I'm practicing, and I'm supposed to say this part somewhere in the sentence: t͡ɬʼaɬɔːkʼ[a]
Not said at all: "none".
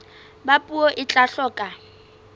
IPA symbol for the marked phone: a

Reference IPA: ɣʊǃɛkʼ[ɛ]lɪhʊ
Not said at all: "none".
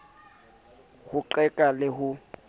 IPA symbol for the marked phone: a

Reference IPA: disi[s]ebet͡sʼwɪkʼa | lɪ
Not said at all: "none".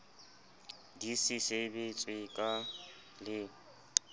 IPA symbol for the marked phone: s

